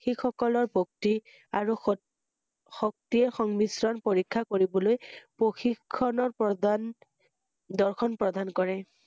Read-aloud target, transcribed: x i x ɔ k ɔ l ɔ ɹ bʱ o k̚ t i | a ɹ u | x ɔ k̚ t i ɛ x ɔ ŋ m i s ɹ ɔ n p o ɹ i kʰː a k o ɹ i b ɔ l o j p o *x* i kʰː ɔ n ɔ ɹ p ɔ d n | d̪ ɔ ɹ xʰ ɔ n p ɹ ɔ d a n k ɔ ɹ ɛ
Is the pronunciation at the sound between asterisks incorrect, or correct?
correct